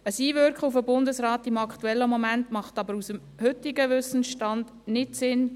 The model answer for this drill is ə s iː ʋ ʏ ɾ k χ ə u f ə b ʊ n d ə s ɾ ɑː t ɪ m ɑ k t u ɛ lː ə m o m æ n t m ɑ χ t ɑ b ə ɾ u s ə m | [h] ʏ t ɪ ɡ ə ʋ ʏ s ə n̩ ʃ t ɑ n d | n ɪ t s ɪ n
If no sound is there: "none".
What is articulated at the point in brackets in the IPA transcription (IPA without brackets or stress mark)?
h